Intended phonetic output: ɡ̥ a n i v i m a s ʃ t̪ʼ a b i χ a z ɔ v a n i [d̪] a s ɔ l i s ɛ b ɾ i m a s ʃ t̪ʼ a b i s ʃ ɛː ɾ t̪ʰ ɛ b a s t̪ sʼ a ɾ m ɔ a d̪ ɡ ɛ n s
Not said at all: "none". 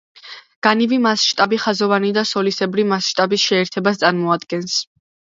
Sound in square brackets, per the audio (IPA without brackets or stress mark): d̪